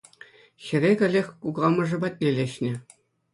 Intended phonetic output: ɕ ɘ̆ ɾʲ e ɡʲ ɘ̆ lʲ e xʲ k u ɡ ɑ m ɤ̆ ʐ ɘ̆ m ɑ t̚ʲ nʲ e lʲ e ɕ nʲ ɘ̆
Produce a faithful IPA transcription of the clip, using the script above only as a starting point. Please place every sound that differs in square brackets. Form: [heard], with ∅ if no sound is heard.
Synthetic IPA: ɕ ɘ̆ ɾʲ e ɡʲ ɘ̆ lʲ e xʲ k u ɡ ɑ m ɤ̆ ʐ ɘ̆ [b] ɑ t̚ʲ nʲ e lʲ e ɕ nʲ ɘ̆